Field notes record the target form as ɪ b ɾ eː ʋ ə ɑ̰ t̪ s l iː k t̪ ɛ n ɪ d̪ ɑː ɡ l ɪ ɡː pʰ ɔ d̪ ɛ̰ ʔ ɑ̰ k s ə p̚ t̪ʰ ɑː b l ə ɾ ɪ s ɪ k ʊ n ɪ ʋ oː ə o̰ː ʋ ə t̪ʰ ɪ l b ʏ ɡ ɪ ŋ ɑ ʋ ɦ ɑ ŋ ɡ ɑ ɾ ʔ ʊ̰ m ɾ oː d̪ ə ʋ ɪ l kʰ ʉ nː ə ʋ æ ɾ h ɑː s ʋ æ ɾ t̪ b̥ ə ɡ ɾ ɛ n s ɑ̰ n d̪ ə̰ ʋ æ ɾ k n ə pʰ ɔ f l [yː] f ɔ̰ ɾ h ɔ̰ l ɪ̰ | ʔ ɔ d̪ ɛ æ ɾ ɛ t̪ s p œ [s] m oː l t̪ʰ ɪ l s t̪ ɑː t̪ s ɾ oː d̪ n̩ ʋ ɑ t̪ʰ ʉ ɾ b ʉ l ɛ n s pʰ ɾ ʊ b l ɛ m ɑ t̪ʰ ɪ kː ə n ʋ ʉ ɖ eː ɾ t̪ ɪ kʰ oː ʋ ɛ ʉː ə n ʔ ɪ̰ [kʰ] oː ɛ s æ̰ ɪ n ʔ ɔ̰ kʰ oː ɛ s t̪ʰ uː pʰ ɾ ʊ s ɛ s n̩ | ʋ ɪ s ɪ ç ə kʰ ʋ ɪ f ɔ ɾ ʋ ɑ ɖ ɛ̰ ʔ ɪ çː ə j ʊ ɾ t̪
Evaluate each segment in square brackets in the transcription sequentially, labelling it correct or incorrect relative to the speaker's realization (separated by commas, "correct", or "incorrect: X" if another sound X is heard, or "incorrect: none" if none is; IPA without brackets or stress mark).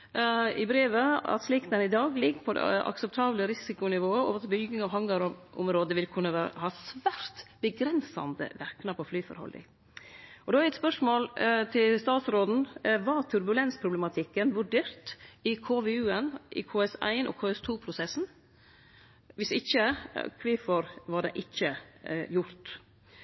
correct, incorrect: ʂ, correct